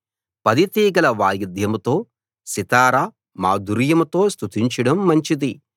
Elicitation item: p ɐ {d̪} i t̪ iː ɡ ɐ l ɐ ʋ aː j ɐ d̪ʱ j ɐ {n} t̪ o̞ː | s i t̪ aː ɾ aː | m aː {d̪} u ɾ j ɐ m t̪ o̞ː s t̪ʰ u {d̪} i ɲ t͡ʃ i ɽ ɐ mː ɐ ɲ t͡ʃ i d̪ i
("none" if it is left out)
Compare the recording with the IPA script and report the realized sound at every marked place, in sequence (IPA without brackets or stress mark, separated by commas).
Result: d̪, m, d̪, t̪